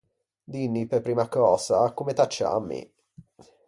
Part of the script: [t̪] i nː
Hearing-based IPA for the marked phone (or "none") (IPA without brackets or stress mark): d̪